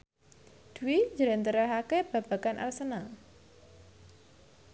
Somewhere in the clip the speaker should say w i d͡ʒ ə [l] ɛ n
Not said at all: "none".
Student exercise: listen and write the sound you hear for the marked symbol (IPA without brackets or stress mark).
ɾ